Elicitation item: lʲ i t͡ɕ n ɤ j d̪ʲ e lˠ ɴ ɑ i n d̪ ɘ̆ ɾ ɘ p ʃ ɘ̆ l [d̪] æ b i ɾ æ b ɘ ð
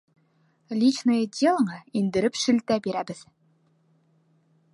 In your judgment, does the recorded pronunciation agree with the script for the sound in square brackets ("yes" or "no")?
no